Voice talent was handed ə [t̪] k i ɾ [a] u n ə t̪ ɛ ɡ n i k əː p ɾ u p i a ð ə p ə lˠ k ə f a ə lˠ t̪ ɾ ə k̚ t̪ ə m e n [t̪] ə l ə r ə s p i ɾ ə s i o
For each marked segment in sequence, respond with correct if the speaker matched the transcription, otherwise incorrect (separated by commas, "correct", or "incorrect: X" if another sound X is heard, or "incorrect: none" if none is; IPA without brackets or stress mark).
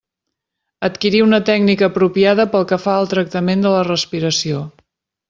correct, incorrect: i, incorrect: d̪